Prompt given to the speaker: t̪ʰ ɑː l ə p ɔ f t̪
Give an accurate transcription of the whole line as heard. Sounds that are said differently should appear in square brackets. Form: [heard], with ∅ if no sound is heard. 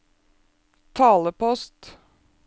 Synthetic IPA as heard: t̪ʰ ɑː l ə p ɔ [s] t̪

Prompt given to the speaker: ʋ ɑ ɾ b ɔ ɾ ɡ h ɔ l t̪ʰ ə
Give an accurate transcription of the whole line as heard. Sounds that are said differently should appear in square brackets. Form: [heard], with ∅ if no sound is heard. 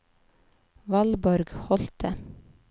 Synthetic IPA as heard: ʋ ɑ [l] b ɔ ɾ ɡ h ɔ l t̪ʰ ə

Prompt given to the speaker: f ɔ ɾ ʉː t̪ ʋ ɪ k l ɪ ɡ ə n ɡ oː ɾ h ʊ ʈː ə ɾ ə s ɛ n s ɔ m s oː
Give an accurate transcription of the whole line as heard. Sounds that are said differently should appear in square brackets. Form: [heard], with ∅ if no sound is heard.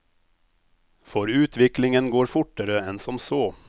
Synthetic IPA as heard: f ɔ ɾ ʉː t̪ ʋ ɪ k l ɪ [ŋ] ə n ɡ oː ɾ [f] ʊ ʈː ə ɾ ə [∅] ɛ n s ɔ m s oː

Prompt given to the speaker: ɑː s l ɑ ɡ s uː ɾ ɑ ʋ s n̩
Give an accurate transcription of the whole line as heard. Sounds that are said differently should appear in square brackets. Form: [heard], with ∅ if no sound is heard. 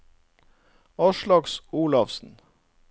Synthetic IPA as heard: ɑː [ʃ] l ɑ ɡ s uː [l] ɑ ʋ s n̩

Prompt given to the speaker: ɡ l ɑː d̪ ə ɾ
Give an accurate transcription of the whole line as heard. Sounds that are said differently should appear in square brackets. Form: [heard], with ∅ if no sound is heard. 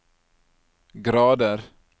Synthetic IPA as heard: ɡ [ɾ] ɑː d̪ ə ɾ

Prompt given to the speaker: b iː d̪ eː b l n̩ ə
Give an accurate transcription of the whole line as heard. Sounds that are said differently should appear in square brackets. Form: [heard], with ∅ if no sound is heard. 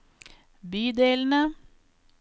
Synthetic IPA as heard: b [yː] d̪ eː [∅] l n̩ ə

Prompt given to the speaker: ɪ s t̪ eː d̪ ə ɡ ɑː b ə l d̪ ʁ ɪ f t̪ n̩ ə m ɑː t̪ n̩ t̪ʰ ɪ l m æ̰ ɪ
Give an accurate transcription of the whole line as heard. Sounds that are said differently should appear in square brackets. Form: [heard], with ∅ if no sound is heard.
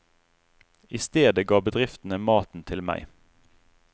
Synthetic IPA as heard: ɪ s t̪ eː d̪ ə ɡ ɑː b ə [∅] d̪ ʁ ɪ f t̪ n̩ ə m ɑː t̪ n̩ t̪ʰ ɪ l m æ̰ ɪ

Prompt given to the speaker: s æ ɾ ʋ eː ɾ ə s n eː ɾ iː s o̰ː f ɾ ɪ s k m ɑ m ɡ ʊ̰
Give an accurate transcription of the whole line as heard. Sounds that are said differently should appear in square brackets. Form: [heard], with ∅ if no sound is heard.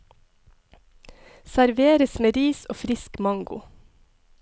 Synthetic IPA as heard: s æ ɾ ʋ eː ɾ ə s [m] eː ɾ iː s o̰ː f ɾ ɪ s k m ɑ [ŋ] ɡ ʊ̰

